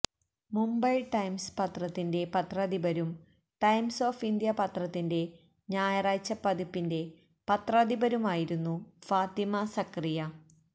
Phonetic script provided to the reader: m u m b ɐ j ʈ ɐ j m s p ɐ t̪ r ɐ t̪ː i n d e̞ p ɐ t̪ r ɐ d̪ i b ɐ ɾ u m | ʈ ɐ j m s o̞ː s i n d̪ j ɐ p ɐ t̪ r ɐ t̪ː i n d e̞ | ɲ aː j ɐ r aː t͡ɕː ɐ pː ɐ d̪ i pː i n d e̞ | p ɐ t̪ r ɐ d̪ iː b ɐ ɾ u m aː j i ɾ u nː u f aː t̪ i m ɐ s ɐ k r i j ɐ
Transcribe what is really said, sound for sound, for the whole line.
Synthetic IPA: m u m b ɐ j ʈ ɐ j m s p ɐ t̪ r ɐ t̪ː i n d e̞ p ɐ t̪ r ɐ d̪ i b ɐ ɾ u m | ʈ ɐ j m s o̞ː f i n d̪ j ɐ p ɐ t̪ r ɐ t̪ː i n d e̞ | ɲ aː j ɐ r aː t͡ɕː ɐ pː ɐ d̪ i pː i n d e̞ | p ɐ t̪ r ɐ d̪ i b ɐ ɾ u m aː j i ɾ u nː u f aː t̪ i m ɐ s ɐ k r i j ɐ